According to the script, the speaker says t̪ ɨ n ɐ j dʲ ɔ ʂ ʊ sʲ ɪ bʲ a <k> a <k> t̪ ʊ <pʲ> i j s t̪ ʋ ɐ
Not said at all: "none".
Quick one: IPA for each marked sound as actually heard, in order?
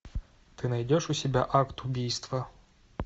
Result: ʔ, k, bʲ

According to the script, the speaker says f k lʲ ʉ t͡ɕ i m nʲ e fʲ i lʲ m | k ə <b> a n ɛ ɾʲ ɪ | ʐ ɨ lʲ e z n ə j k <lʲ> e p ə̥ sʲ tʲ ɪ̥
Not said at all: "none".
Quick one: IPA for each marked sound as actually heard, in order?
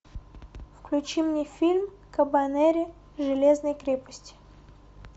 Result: b, ɾʲ

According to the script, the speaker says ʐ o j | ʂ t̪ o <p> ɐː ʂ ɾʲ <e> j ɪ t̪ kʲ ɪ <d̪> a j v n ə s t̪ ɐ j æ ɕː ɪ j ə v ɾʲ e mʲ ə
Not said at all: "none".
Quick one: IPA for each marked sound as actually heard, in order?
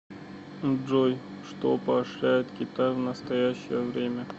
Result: p, æ, t̪

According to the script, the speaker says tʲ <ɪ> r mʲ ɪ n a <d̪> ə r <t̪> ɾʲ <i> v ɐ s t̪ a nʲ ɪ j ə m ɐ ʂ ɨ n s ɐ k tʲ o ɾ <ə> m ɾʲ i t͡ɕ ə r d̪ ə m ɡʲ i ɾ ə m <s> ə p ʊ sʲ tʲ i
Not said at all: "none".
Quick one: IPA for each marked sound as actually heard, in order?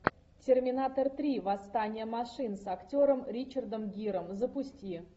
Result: ɪ, t̪, t̪, i, ə, z

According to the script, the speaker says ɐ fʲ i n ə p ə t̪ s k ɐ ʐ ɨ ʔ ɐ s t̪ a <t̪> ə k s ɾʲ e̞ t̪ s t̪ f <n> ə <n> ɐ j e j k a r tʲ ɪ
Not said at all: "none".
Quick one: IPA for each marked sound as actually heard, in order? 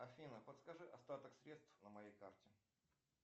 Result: t̪, n, m

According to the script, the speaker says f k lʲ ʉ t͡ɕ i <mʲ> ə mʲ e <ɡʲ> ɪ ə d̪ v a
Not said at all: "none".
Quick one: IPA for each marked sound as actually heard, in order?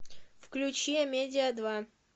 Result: none, dʲ

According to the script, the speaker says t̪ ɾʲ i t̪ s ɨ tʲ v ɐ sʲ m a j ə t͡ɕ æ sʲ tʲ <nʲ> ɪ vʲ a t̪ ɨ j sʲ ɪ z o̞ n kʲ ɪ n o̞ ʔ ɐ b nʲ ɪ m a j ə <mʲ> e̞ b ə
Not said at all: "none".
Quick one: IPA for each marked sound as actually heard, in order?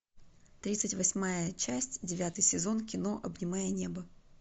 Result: dʲ, nʲ

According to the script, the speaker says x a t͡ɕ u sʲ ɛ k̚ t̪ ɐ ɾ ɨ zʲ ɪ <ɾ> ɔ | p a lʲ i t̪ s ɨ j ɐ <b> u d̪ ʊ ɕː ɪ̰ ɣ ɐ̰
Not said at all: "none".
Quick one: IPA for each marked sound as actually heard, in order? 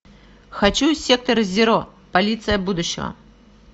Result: ɾ, b

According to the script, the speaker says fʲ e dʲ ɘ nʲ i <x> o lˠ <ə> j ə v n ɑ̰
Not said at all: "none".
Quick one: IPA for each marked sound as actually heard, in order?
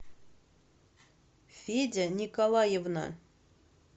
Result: k, ɑ

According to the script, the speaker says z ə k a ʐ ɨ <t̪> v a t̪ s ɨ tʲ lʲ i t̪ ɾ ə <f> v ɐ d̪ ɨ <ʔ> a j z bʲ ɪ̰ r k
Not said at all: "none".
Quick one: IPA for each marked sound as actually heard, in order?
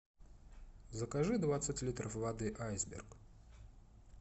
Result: d̪, f, ʔ

